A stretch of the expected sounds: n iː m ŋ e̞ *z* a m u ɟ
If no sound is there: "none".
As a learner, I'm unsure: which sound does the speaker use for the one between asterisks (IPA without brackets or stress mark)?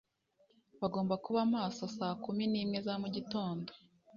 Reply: z